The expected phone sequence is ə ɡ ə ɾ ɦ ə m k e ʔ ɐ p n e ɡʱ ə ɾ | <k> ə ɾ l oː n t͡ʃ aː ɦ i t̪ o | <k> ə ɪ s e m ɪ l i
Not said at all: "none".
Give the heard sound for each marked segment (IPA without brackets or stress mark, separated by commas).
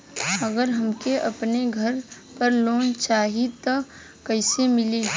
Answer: p, k